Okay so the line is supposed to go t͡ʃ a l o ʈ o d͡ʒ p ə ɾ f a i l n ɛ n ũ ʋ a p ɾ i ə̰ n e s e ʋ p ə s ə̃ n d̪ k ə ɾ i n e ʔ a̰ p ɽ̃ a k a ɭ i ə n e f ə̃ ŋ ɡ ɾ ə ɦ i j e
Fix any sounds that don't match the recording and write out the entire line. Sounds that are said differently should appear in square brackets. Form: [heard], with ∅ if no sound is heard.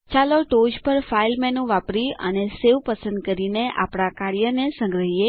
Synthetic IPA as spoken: t͡ʃ a l o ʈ o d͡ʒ p ə ɾ f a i l [m] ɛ n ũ ʋ a p ɾ i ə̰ n e s e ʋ p ə s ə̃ n d̪ k ə ɾ i n e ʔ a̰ p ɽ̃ a k a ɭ [j] ə n e [s] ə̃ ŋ ɡ ɾ ə ɦ i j e